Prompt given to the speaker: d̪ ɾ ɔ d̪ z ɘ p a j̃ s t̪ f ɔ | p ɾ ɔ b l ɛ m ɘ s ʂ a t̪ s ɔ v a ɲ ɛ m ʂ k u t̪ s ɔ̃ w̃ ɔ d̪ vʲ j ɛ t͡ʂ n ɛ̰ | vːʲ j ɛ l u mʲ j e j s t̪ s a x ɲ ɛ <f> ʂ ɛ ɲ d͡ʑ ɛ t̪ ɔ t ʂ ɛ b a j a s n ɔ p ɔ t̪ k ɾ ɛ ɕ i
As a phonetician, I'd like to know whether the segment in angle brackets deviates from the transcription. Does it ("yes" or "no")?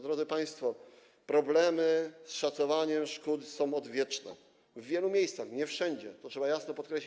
no